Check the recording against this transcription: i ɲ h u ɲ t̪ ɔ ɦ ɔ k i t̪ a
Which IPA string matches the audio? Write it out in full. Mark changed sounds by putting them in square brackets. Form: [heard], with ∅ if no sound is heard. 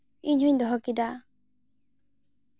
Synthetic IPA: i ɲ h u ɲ [d̪] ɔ ɦ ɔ k i [d̪] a